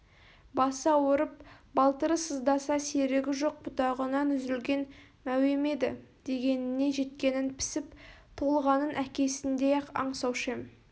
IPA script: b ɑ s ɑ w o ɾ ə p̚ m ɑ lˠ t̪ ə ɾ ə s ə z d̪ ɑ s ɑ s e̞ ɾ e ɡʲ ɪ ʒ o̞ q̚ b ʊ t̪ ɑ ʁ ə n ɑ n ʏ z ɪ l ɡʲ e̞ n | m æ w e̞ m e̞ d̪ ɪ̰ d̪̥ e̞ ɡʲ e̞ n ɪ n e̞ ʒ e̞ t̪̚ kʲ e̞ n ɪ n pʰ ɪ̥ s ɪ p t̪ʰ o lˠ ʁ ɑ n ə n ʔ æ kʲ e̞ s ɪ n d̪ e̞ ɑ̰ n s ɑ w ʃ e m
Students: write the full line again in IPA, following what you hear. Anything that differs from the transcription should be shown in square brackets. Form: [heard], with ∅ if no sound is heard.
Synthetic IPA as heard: b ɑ s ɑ w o ɾ ə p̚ [b] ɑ lˠ t̪ ə ɾ ə s ə z d̪ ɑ s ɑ s e̞ ɾ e ɡʲ ɪ ʒ o̞ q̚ b ʊ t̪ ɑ ʁ ə n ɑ n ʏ z ɪ l ɡʲ e̞ n | m æ w e̞ m e̞ d̪ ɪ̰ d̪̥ e̞ ɡʲ e̞ n ɪ n e̞ ʒ e̞ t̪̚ kʲ e̞ n ɪ n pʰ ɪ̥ s ɪ p t̪ʰ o lˠ ʁ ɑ n ə n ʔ æ kʲ e̞ s ɪ n d̪ e̞ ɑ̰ [ɴ] s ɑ w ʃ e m